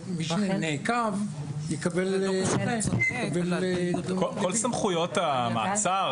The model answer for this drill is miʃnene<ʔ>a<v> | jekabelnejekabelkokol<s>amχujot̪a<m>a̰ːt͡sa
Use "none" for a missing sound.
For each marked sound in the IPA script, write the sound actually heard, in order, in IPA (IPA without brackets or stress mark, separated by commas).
k, v, s, m